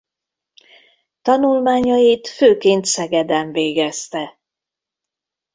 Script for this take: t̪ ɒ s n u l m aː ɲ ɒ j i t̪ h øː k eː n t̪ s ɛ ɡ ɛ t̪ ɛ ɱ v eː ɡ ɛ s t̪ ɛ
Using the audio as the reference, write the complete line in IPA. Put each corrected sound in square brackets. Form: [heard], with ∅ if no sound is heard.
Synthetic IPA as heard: t̪ ɒ [∅] n u l m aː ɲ ɒ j i t̪ [f] øː k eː n t̪ s ɛ ɡ ɛ [d̪] ɛ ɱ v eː ɡ ɛ s t̪ ɛ